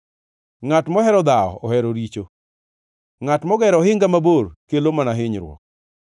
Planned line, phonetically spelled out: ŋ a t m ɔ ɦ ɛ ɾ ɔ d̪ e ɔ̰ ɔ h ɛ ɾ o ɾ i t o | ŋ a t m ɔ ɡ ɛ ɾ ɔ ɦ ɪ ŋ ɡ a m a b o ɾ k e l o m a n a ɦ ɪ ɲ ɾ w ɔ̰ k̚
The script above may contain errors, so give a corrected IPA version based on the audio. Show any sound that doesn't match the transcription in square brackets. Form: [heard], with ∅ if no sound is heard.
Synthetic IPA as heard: ŋ a t m ɔ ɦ ɛ ɾ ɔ d̪ [a] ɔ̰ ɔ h ɛ ɾ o ɾ i [t͡ʃ] o | ŋ a t m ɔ ɡ ɛ ɾ ɔ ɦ ɪ ŋ ɡ a m a b o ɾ k e l o m a n a ɦ ɪ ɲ ɾ w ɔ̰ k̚